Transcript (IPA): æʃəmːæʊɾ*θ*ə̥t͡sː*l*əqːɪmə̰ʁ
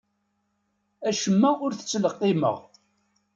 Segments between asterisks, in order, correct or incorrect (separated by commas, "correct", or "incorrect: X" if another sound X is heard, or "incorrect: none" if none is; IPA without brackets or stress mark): correct, correct